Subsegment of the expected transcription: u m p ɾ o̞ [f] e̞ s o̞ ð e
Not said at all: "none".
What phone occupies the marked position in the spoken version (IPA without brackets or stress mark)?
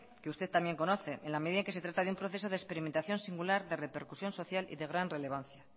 θ